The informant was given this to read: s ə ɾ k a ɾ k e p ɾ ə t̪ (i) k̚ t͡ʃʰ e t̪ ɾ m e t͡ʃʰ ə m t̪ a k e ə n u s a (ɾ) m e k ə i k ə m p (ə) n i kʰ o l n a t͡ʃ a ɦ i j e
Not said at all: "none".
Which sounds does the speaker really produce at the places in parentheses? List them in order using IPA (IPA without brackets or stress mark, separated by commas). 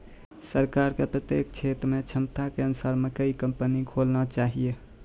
e, ɾ, ə